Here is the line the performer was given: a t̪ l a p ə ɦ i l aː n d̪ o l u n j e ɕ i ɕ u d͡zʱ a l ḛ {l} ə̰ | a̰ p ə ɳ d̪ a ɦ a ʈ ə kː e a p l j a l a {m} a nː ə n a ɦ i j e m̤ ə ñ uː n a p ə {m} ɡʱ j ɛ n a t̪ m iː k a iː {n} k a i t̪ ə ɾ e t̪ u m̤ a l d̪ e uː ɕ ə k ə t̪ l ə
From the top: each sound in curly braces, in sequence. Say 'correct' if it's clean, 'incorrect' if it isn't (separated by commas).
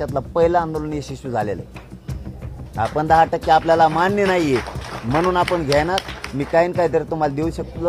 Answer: correct, correct, incorrect, correct